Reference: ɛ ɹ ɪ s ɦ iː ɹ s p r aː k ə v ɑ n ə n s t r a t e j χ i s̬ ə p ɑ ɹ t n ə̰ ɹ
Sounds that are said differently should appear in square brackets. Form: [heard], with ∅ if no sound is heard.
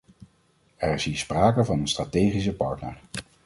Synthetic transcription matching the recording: ɛ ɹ ɪ s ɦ iː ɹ s p r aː k ə v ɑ n ə n s t r a t e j χ i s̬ ə p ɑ ɹ t n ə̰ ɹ